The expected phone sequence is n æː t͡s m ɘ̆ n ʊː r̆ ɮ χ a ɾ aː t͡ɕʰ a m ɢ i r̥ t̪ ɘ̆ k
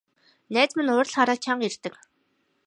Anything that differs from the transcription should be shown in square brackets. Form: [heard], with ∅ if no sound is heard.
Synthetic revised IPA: n æː t͡s m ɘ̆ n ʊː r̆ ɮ χ a ɾ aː t͡ɕʰ a [ɴ] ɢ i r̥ t̪ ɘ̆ k